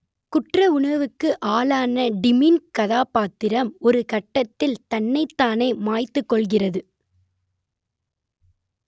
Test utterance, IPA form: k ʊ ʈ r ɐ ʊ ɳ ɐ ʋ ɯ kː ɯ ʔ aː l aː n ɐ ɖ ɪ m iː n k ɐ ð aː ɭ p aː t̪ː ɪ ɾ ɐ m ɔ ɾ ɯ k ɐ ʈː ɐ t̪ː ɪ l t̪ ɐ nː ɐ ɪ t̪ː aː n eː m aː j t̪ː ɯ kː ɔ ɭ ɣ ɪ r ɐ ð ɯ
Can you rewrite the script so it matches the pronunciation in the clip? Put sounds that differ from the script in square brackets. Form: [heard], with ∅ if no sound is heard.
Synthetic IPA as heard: k ʊ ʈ r ɐ ʊ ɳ ɐ ʋ ɯ kː ɯ ʔ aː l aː n ɐ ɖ ɪ m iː n k ɐ ð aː [∅] p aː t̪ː ɪ ɾ ɐ m ɔ ɾ ɯ k ɐ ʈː ɐ t̪ː ɪ l t̪ ɐ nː ɐ ɪ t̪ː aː n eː m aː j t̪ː ɯ kː ɔ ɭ ɣ ɪ r ɐ ð ɯ